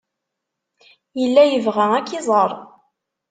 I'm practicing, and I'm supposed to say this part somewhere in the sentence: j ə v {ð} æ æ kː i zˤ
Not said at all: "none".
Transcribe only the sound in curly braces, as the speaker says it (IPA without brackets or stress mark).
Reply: ʁ